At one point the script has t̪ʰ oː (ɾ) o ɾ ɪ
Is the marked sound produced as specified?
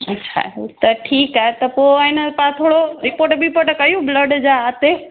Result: no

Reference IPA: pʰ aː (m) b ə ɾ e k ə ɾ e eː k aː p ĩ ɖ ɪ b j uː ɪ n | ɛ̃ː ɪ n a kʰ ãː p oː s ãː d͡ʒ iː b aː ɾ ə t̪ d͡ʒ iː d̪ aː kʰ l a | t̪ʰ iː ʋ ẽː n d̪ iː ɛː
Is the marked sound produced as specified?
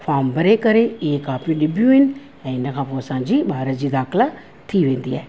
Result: yes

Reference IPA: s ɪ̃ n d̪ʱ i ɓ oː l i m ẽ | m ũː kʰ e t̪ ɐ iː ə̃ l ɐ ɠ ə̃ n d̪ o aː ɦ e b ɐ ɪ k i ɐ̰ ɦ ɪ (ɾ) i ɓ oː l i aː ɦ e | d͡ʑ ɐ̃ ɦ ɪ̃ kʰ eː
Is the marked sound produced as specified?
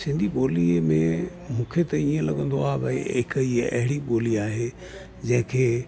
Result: no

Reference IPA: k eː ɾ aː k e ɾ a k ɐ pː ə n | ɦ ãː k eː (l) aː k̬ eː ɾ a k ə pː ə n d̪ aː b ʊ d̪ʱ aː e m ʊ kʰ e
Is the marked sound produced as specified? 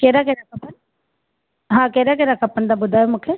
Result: no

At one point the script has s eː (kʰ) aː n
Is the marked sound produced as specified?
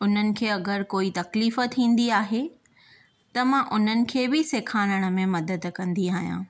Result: yes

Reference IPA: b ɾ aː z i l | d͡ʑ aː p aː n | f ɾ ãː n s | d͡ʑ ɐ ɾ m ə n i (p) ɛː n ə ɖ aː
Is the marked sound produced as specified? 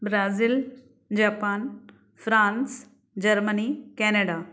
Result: no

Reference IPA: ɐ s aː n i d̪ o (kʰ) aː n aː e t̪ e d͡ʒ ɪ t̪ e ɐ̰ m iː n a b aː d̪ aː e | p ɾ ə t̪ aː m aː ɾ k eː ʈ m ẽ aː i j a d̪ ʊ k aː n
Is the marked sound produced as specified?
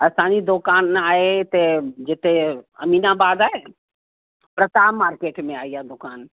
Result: no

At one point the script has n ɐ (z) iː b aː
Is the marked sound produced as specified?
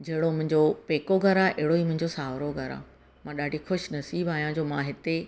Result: no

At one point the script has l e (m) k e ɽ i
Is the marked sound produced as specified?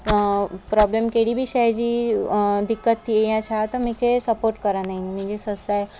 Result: yes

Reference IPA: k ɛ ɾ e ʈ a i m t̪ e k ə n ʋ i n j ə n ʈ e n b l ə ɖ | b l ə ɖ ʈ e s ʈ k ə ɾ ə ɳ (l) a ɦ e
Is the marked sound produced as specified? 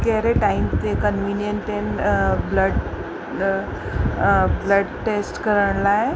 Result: yes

